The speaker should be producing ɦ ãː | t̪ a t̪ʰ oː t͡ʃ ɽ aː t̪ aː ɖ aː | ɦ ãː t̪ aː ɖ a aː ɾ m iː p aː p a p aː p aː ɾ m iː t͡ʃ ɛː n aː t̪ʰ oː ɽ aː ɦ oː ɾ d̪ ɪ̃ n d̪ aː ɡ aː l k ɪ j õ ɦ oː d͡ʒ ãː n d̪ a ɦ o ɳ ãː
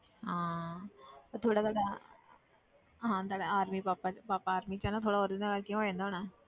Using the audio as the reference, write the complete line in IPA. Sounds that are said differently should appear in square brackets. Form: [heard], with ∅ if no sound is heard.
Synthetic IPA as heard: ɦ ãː | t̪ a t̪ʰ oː [∅] ɽ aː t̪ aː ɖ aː | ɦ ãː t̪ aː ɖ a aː ɾ m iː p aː p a p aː p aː ɾ m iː t͡ʃ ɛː n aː t̪ʰ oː ɽ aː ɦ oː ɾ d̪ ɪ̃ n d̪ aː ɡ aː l k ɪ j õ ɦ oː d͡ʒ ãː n d̪ a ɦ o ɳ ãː